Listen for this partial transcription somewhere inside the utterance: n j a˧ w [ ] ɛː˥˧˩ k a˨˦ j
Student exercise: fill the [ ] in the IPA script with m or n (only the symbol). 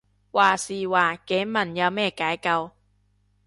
m